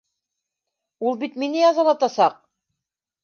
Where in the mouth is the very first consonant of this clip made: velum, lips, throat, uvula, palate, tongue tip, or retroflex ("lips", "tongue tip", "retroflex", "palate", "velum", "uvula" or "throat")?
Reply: tongue tip